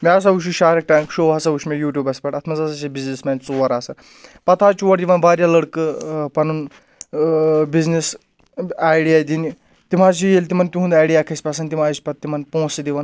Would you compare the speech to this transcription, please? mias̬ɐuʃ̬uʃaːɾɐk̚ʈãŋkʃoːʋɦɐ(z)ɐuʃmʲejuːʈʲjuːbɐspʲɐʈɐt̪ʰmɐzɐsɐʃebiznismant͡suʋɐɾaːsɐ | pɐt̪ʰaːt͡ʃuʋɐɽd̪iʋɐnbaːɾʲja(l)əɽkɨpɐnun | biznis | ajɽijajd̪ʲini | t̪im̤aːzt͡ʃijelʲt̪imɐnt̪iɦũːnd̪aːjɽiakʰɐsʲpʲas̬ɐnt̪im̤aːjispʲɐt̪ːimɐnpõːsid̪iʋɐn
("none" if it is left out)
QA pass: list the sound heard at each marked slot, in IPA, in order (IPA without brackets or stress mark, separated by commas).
s, l